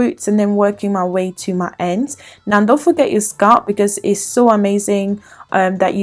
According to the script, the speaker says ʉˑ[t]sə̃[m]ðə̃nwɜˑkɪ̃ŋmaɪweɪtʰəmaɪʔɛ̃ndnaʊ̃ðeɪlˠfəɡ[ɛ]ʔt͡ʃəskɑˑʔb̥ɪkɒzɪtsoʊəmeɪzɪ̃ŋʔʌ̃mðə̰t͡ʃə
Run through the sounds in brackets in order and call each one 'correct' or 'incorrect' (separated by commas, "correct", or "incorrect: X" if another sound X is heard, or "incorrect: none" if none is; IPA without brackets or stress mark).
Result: correct, incorrect: n, correct